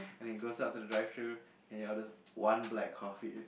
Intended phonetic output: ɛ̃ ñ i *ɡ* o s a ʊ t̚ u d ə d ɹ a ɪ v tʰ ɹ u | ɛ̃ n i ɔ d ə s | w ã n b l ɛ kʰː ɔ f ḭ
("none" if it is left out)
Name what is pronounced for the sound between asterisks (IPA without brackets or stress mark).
ɡ